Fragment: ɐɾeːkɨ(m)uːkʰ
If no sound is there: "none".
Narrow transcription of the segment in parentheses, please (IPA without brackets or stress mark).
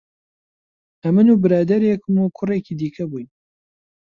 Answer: m